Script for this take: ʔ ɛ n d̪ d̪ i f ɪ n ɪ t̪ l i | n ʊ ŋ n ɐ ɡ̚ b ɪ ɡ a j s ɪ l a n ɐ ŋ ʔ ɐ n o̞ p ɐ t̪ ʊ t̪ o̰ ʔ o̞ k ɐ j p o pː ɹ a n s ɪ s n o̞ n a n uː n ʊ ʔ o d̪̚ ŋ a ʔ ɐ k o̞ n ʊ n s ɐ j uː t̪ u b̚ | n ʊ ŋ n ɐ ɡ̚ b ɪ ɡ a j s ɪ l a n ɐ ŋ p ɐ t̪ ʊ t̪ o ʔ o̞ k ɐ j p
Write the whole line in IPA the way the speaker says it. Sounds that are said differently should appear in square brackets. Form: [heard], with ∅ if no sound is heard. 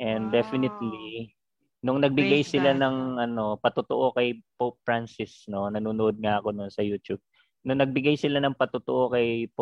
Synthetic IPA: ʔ ɛ n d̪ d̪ [ɛ] f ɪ n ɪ t̪ l i | n ʊ ŋ n ɐ ɡ̚ b ɪ ɡ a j s ɪ l a n ɐ ŋ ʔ ɐ n o̞ p ɐ t̪ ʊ t̪ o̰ ʔ o̞ k ɐ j p o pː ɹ a n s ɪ s n o̞ n [ɐ] n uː n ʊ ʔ o d̪̚ ŋ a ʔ ɐ k o̞ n ʊ n s ɐ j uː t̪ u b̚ | n ʊ ŋ n ɐ ɡ̚ b ɪ ɡ a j s ɪ l a n ɐ ŋ p ɐ t̪ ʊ t̪ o ʔ o̞ k ɐ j p